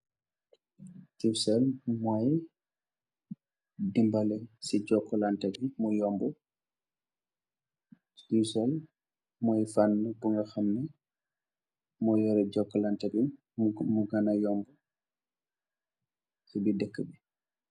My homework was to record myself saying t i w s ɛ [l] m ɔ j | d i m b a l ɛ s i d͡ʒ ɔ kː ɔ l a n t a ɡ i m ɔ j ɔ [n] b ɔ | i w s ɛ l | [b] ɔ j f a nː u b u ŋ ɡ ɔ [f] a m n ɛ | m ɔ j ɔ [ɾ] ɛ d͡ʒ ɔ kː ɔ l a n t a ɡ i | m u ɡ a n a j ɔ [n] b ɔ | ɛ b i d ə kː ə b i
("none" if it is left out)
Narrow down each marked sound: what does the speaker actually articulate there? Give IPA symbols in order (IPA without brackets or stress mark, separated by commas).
l, m, m, x, ɾ, m